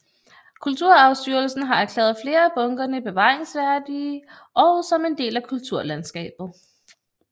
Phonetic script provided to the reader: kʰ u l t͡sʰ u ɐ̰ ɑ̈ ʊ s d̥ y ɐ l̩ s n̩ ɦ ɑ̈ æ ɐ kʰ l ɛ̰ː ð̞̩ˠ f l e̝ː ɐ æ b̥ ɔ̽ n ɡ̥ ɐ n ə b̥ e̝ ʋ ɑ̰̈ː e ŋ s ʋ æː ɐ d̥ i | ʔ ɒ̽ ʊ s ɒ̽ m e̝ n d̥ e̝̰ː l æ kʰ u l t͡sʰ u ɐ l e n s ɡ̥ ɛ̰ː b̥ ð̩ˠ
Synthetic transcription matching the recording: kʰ u l t͡sʰ u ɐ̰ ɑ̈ ʊ s d̥ y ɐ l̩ s n̩ ɦ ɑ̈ æ ɐ kʰ l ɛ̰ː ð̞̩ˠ f l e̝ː ɐ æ b̥ ɔ̽ ŋ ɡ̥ ɐ n ə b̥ e̝ ʋ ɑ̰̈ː e ŋ s ʋ æ ɐ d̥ i | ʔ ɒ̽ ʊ s ɒ̽ m e̝ n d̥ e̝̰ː l æ kʰ u l t͡sʰ u ɐ l æ n s ɡ̥ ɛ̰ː b̥ ð̩ˠ